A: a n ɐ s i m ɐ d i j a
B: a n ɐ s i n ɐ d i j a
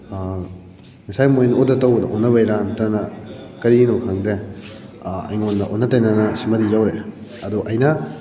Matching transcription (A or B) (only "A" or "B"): A